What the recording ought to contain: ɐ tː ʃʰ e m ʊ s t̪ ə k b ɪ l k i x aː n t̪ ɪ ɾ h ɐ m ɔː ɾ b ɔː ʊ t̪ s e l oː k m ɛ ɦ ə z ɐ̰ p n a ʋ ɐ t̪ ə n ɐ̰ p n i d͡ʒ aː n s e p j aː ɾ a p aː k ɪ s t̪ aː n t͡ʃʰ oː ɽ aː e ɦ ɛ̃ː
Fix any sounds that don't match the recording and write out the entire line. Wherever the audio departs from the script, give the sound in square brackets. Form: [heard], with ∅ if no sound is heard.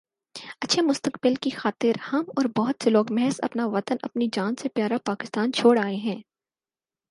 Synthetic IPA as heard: ɐ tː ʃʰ e m ʊ s t̪ ə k b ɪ l k i x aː [∅] t̪ ɪ ɾ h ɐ m ɔː ɾ b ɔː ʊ t̪ s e l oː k m ɛ ɦ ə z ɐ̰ p n a ʋ ɐ t̪ ə n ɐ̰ p n i d͡ʒ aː n s e p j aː ɾ a p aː k ɪ s t̪ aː n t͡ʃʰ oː ɽ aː e ɦ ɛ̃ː